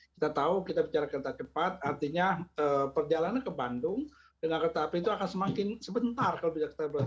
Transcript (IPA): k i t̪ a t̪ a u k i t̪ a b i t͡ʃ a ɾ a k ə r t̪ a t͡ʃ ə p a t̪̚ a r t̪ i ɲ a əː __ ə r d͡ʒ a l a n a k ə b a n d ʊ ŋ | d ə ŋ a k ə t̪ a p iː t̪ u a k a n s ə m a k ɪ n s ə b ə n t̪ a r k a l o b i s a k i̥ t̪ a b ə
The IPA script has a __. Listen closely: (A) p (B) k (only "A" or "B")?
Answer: A